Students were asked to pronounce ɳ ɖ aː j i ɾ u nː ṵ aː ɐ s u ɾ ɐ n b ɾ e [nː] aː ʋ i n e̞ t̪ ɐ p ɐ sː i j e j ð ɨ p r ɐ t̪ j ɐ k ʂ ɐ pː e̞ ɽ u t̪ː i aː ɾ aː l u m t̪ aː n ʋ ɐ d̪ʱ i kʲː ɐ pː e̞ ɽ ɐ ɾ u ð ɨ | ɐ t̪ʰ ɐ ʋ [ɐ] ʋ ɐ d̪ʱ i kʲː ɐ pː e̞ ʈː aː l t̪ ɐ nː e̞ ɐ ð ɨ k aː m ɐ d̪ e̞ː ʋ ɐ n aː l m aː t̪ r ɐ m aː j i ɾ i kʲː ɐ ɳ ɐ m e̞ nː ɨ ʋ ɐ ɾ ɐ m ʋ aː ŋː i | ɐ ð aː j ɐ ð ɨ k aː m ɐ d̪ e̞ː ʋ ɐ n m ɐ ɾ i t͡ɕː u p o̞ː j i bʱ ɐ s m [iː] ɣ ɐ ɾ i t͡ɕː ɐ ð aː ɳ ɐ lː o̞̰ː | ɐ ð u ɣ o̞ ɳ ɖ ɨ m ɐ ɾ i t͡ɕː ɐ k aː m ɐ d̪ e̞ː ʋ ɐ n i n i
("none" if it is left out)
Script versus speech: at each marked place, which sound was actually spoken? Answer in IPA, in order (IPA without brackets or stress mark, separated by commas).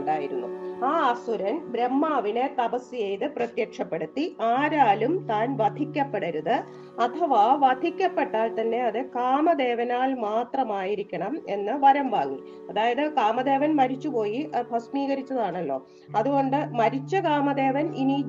mː, a, iː